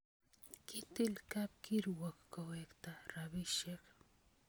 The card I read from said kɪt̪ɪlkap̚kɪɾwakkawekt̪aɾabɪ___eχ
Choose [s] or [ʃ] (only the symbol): ʃ